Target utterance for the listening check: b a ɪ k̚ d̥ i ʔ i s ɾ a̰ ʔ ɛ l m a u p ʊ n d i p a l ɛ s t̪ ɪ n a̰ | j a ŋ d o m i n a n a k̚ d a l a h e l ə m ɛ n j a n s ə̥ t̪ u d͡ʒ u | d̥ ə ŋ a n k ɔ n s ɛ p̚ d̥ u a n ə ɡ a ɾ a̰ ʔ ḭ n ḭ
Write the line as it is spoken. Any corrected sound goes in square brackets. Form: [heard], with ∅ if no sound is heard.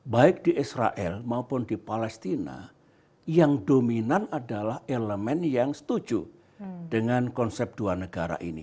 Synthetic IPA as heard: b a ɪ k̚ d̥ i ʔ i s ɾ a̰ ʔ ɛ l m a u p ʊ n d i p a l ɛ s t̪ [i] n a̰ | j a ŋ d o m i n a n a [∅] d a l a h e l ə m ɛ n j a [ŋ] s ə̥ t̪ u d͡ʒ u | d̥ ə ŋ a n k ɔ n s ɛ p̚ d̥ u a n ə ɡ a ɾ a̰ ʔ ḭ n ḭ